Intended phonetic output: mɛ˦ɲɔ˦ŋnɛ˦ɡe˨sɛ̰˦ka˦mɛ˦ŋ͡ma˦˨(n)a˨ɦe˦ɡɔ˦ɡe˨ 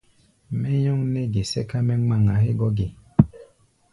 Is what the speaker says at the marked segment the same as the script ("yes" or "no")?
no